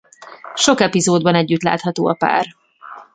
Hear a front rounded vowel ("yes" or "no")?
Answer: yes